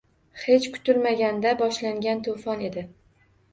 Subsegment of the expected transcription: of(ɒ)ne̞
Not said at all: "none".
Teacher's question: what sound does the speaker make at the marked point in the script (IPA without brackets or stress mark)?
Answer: ɒ